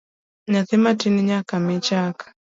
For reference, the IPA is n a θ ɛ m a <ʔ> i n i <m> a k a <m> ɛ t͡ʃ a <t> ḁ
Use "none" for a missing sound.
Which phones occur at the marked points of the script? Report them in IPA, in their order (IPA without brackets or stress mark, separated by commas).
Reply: t, ɲ, m, k